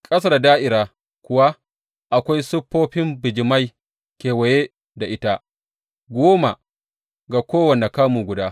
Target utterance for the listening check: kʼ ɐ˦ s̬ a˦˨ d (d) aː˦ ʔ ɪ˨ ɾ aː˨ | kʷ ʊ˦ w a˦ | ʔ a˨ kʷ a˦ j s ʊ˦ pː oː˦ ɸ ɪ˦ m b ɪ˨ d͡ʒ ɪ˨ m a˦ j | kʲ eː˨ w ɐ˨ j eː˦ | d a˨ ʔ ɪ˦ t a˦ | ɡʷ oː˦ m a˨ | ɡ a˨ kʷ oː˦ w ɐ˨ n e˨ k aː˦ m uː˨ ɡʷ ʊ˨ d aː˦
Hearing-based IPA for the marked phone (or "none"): d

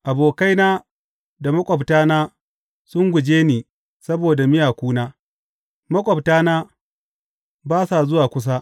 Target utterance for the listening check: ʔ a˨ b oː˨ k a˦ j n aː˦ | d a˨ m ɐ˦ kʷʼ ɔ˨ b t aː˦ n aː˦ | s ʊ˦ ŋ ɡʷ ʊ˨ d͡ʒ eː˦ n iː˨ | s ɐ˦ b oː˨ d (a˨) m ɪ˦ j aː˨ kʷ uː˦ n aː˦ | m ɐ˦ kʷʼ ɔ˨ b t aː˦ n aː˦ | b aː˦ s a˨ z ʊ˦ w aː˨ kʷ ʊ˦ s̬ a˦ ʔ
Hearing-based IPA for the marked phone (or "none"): a˨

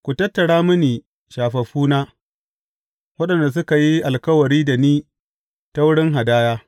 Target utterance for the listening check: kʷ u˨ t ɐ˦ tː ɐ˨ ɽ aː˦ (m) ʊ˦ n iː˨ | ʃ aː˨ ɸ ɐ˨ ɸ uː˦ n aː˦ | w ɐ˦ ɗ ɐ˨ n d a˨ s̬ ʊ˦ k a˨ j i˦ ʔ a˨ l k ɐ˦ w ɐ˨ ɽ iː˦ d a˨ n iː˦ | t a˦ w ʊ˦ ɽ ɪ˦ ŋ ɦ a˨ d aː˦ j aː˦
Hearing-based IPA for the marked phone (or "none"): m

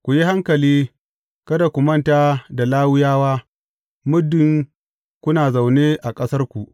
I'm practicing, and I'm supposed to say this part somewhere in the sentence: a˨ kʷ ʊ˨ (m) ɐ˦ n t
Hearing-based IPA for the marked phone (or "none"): m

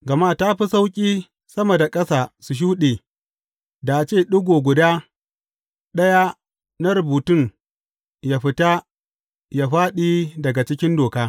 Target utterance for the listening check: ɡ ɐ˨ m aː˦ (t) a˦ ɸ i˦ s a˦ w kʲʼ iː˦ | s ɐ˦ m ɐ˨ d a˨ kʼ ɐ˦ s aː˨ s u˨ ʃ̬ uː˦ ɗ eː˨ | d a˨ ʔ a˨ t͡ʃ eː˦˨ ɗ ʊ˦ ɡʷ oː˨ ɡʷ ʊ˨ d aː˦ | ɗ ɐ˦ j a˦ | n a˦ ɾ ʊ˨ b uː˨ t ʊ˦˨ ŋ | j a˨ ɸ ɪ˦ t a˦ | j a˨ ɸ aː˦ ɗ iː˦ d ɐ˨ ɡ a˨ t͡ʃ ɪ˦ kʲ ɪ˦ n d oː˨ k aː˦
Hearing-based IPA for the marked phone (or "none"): t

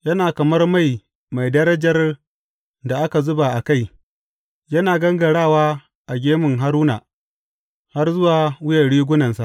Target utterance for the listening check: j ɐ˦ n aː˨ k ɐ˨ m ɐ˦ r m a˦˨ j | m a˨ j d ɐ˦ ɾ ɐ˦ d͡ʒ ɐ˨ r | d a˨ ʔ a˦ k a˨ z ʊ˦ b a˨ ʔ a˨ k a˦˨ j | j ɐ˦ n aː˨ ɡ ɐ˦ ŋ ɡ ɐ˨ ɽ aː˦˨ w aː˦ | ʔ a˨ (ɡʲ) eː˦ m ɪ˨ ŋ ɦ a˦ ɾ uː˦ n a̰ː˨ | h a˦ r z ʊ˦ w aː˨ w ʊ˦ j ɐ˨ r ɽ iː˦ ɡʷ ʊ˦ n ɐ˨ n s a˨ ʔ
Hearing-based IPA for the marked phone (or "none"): ɡʲ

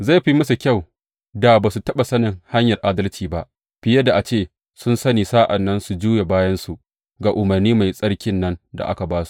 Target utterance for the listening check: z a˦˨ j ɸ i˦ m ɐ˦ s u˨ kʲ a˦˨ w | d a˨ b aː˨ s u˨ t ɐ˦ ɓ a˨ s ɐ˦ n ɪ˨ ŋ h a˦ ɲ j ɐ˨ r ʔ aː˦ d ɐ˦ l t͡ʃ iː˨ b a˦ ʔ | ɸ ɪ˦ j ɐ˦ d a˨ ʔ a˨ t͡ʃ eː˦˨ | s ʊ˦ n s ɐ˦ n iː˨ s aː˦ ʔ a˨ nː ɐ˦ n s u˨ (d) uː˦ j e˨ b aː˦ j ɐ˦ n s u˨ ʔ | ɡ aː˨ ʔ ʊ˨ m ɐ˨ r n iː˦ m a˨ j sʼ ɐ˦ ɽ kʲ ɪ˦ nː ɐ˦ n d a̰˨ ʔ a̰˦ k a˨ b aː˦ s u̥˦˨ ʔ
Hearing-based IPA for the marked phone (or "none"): d͡ʒ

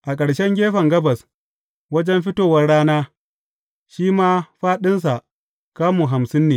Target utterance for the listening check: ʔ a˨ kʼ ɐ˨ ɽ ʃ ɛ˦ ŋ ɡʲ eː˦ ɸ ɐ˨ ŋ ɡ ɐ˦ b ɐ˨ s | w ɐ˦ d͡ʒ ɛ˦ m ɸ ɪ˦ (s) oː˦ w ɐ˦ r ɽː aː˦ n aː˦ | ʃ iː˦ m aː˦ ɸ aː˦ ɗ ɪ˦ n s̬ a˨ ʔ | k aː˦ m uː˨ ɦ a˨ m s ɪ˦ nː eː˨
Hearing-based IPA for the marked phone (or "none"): t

